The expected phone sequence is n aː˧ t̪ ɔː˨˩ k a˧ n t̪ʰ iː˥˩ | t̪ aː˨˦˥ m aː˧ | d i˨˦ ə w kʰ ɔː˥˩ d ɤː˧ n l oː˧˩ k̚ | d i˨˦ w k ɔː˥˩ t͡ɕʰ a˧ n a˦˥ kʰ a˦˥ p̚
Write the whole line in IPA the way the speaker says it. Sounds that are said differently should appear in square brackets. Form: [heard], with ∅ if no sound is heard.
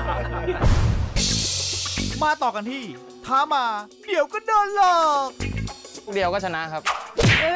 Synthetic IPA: [m] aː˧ t̪ ɔː˨˩ k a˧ n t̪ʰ iː˥˩ | [t̪ʰ] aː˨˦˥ m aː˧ | d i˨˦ ə w [k] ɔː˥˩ d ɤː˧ n l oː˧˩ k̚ | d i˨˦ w k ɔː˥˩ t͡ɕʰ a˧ n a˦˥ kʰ a˦˥ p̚